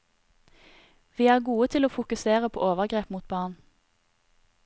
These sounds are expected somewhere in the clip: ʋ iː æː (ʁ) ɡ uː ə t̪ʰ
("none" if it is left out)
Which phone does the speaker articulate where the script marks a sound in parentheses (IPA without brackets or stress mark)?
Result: ʁ